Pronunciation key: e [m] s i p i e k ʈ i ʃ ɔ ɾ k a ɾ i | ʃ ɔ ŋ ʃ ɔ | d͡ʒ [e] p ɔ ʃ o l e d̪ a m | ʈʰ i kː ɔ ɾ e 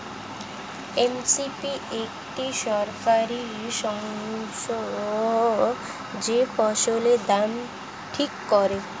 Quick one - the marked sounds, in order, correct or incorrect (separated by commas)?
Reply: correct, correct